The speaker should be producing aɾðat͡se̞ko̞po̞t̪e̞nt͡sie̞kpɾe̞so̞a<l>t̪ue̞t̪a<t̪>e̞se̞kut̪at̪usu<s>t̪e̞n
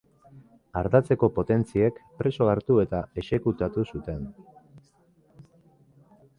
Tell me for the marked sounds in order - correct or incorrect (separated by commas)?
incorrect, incorrect, incorrect